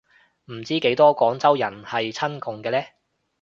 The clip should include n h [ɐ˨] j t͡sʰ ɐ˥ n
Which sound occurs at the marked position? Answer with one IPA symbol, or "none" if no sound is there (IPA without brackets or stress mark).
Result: ɐ˨